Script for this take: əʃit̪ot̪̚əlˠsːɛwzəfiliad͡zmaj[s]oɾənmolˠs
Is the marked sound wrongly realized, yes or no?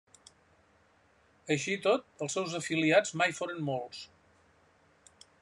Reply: yes